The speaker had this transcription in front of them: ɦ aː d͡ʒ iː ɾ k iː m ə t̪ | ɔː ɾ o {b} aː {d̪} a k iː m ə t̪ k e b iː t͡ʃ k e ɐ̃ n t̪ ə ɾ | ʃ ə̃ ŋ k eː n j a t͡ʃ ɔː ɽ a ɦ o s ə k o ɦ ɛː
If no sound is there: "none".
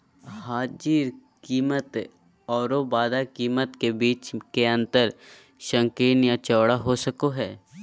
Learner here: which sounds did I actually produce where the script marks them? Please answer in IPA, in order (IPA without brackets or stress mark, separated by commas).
b, d̪